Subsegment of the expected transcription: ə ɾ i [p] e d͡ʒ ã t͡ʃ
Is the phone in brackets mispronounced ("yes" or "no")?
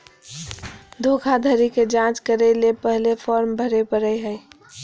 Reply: yes